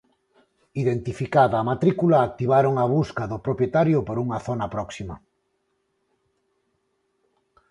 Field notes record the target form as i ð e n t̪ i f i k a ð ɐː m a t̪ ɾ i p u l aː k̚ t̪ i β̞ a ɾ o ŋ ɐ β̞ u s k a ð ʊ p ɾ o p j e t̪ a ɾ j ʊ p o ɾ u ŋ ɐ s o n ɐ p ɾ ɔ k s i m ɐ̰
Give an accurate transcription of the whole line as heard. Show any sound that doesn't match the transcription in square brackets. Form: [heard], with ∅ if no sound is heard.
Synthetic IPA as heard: i ð e n t̪ i f i k a ð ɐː m a t̪ ɾ i [k] u l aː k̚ t̪ i β̞ a ɾ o ŋ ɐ β̞ u s k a ð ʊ p ɾ o p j e t̪ a ɾ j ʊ p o ɾ u ŋ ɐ [θ] o n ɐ p ɾ ɔ k s i m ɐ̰